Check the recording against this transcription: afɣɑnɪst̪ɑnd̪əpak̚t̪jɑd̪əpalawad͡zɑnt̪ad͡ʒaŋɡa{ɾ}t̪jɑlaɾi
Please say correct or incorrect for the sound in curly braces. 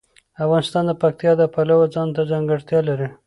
incorrect: ɽ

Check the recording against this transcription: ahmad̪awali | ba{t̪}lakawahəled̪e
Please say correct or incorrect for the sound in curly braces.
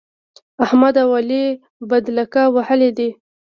incorrect: d̪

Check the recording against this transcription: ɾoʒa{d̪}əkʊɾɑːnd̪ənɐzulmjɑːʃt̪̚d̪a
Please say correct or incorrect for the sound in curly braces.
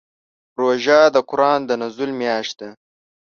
correct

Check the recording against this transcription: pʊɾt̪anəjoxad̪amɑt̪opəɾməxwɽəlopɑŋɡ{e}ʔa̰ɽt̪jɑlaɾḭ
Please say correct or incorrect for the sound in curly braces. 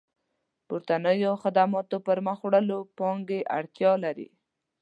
correct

